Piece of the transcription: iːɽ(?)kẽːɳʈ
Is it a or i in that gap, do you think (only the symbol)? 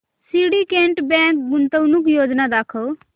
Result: i